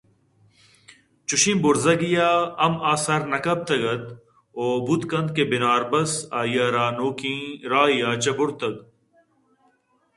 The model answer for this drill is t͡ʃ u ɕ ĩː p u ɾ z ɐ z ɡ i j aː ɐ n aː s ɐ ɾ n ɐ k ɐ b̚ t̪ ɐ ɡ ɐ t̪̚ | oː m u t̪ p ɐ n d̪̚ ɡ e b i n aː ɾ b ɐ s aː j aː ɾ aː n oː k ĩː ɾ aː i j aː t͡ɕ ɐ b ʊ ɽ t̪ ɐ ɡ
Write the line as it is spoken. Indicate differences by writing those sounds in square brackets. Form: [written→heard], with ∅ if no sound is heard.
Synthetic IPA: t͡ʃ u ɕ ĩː [p→b] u ɾ z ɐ [z→∅] ɡ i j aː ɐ [n→m] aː s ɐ ɾ n ɐ k ɐ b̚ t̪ ɐ ɡ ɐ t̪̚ | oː [m→b] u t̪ [p→k] ɐ n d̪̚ [ɡ→k] e b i n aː ɾ b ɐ s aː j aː ɾ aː n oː k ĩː ɾ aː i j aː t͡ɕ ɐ b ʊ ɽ t̪ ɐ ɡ